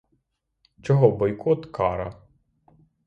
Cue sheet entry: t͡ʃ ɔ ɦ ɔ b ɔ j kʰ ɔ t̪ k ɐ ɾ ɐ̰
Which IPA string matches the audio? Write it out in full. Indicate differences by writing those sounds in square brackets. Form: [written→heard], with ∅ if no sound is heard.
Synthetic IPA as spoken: t͡ʃ ɔ ɦ ɔ b ɔ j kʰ ɔ t̪ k [ɐ→ɑ] ɾ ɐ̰